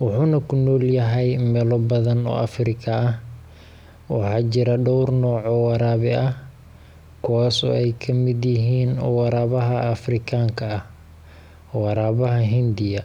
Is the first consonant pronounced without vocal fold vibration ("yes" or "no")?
no